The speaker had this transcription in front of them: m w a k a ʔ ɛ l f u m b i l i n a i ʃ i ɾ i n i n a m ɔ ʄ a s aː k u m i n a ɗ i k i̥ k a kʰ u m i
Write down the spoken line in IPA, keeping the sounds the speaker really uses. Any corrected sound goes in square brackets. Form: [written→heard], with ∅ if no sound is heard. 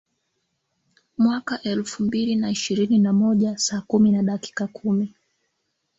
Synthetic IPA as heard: m w a k a ʔ ɛ l f u m b i l i n a i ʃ i ɾ i n i n a m ɔ ʄ a s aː k u m i n a ɗ [i→a] k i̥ k a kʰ u m i